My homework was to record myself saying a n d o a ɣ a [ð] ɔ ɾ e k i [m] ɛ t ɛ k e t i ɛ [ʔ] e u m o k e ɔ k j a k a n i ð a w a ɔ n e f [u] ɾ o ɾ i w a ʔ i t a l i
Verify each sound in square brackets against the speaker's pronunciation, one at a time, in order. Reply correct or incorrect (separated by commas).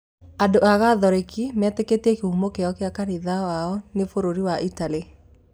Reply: correct, correct, incorrect, incorrect